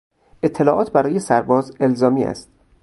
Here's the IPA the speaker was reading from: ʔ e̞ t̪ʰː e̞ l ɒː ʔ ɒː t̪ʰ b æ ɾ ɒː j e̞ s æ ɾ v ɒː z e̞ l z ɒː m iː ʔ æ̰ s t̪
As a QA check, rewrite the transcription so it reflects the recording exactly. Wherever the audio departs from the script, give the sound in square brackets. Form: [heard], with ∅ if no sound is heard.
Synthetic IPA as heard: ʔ e̞ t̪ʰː e̞ l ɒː ʔ ɒː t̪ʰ b æ ɾ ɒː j e̞ s æ ɾ [b] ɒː z e̞ l z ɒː m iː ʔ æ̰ s t̪